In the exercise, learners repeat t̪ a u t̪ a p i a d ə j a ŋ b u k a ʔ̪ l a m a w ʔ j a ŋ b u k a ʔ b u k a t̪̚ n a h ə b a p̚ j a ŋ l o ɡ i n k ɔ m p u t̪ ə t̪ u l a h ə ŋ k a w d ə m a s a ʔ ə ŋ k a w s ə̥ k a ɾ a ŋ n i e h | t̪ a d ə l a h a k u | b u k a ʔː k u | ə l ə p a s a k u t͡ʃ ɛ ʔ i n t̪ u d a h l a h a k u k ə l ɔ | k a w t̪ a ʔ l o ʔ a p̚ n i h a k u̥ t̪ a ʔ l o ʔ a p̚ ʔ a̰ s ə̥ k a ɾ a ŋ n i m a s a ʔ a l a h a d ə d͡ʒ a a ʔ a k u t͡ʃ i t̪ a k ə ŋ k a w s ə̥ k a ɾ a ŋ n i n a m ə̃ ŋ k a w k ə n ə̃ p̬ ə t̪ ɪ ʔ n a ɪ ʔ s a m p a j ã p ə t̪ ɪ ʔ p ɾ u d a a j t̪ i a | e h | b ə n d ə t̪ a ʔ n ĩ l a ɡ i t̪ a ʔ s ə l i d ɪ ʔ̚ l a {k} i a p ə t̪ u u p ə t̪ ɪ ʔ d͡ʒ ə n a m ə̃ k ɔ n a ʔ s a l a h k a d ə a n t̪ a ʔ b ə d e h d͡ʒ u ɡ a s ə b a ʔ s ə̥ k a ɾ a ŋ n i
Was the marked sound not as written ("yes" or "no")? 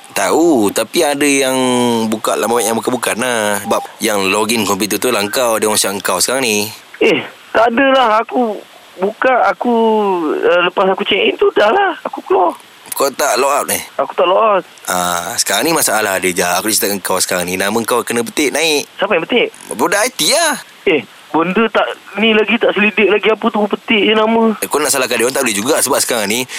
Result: yes